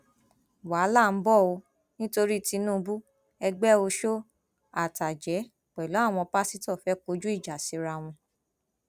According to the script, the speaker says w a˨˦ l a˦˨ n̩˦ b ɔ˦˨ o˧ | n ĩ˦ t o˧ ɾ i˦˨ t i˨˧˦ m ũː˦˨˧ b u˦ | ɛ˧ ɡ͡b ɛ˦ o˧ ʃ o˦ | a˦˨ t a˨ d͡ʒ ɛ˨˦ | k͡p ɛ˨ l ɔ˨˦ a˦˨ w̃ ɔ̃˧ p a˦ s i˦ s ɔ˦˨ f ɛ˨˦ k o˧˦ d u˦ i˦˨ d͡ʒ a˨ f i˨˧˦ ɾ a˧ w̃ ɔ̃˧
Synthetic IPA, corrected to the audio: w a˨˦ l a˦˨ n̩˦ b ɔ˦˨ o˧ | n ĩ˦ t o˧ ɾ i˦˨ t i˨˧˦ n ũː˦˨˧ b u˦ | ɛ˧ ɡ͡b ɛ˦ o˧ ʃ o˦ | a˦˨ t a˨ d͡ʒ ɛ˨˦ | k͡p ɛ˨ l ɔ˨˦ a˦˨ w̃ ɔ̃˧ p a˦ s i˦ t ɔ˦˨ f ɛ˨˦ k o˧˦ d͡ʒ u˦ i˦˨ d͡ʒ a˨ s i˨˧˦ ɾ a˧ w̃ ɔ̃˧